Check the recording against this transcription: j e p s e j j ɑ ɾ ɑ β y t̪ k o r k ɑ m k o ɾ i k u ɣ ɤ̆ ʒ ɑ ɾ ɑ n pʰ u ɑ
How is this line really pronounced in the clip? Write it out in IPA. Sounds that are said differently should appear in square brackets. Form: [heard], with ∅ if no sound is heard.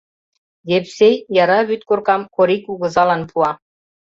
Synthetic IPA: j e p s e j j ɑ ɾ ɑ β y t̪ k o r k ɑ m k o ɾ i k u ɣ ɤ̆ [z] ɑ [l] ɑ n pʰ u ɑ

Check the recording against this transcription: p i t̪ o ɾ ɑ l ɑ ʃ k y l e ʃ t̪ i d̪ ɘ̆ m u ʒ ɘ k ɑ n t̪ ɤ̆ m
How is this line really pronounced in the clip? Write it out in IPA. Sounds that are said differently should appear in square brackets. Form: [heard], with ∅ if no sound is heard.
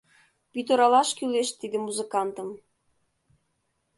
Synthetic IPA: p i t̪ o ɾ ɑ l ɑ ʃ k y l e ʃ t̪ i d̪ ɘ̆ m u [z] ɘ k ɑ n t̪ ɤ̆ m

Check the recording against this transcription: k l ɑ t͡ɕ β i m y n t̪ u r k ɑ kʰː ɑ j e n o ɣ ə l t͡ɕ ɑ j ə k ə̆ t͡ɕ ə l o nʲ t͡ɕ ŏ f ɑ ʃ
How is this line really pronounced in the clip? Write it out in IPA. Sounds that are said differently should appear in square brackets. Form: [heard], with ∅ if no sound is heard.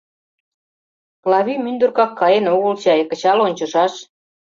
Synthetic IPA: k l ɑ [∅] β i m y n [d̪] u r k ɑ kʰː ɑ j e n o ɣ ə l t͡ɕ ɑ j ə k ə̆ t͡ɕ [ɑ] l o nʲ t͡ɕ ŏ [ʃ] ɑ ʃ

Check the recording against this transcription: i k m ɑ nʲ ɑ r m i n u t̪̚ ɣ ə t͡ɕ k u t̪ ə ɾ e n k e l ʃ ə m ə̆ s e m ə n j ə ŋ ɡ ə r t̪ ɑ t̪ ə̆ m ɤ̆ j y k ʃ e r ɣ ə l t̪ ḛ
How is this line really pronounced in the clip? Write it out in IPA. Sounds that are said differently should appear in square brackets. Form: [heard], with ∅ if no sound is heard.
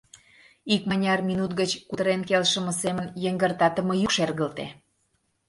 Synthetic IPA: i k m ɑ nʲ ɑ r m i n u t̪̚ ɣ ə t͡ɕ k u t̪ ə ɾ e n k e l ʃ ə m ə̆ s e m ə n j ə ŋ ɡ ə r t̪ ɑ t̪ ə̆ m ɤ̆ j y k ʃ e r ɣ ə l t̪ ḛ

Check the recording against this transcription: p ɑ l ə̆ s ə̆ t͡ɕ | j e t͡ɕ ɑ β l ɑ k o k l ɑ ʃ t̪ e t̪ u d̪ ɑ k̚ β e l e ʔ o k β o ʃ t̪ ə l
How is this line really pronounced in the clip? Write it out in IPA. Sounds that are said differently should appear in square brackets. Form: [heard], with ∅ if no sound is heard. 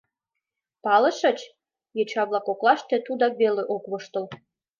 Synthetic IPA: p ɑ l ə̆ [ʃ] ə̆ t͡ɕ | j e t͡ɕ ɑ β l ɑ k o k l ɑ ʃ t̪ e t̪ u d̪ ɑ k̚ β e l e ʔ o k β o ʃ t̪ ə l

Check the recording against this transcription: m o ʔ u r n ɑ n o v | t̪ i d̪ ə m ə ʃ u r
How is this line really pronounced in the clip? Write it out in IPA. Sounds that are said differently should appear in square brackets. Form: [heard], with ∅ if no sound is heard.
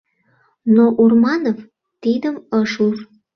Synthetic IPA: [n] o ʔ u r [m] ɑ n o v | t̪ i d̪ ə m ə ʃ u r

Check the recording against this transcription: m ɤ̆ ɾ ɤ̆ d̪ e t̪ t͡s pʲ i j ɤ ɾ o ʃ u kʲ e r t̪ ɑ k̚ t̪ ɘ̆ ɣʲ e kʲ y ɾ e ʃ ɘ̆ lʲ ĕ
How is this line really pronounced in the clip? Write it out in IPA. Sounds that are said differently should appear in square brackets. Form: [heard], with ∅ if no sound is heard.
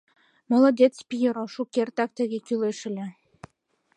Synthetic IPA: m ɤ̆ [l] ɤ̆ d̪ e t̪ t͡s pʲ i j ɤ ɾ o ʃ u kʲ e r t̪ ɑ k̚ t̪ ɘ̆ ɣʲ e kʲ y [l] e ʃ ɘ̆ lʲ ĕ

